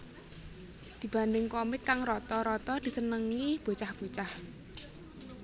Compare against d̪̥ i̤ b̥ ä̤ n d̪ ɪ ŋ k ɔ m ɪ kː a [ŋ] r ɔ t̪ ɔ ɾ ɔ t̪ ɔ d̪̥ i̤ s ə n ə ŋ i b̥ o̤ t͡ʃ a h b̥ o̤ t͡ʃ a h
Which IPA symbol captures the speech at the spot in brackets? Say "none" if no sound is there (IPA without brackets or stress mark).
ŋ